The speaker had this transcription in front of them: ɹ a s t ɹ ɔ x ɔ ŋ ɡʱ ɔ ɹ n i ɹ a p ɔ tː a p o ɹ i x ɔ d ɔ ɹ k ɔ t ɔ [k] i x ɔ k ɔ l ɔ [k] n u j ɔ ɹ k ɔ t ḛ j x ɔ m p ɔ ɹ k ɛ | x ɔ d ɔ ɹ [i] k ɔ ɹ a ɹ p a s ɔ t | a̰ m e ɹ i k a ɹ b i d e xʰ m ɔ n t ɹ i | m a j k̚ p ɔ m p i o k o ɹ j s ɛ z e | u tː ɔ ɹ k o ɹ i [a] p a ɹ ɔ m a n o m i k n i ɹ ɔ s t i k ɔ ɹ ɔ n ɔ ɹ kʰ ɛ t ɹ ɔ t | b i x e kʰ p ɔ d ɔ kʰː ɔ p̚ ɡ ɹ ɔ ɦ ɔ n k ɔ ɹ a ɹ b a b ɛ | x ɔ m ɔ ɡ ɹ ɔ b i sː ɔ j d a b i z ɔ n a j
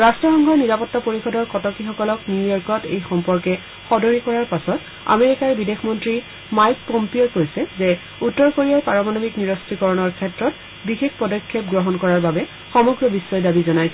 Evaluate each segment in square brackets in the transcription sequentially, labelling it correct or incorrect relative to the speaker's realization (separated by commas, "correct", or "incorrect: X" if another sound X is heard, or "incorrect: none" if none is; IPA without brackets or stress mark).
correct, correct, correct, correct